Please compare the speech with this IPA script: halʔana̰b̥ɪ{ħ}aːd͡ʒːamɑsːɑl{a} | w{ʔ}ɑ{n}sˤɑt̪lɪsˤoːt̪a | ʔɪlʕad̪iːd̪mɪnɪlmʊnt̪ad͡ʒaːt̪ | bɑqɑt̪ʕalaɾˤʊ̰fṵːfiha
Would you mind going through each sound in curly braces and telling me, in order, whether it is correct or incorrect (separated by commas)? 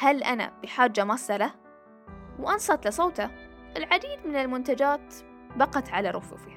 correct, correct, correct, correct